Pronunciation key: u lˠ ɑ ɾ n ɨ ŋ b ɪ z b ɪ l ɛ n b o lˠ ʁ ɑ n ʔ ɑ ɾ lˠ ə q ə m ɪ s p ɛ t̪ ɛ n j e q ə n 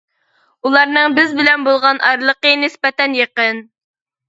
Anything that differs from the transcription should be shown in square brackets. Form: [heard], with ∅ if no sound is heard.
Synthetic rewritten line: u lˠ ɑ ɾ n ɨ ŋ b ɪ z b ɪ l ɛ n b o lˠ ʁ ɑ n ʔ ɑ ɾ lˠ ə q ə [n] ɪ s p ɛ t̪ ɛ n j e q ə n